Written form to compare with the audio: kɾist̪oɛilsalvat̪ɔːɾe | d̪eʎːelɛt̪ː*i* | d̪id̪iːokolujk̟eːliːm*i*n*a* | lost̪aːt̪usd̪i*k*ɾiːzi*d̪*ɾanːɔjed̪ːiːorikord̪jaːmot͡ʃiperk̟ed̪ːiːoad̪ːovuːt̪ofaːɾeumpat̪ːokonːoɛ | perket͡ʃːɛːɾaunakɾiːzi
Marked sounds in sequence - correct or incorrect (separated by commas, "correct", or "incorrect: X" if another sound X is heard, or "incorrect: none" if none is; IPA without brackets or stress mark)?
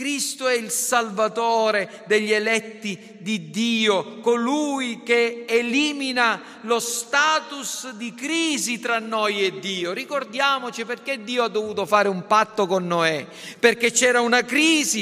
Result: correct, correct, correct, correct, incorrect: t̪